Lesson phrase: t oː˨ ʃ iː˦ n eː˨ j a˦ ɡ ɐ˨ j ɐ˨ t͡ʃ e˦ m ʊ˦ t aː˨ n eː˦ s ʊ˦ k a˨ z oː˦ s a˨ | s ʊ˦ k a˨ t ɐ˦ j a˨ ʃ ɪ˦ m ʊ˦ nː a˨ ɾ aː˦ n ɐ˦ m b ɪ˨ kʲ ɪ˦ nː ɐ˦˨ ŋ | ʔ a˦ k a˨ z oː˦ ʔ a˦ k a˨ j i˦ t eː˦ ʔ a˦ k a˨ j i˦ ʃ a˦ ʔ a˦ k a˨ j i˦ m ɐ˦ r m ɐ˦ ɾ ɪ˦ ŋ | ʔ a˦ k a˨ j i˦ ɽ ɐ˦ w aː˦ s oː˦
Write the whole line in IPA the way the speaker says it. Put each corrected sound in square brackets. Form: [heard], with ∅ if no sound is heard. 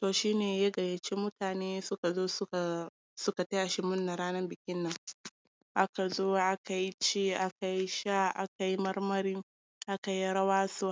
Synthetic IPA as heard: t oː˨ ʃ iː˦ n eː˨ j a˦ ɡ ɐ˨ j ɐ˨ t͡ʃ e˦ m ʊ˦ t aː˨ n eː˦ s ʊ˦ k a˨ z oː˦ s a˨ | s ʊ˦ k a˨ t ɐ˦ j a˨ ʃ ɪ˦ m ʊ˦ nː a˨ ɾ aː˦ n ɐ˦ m b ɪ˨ kʲ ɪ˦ nː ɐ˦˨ ŋ | ʔ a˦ k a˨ z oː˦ ʔ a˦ k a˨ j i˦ [t͡ʃ] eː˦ ʔ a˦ k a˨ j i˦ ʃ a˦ ʔ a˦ k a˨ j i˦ m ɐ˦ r m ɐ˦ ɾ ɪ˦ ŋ | ʔ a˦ k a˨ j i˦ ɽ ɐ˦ w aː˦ s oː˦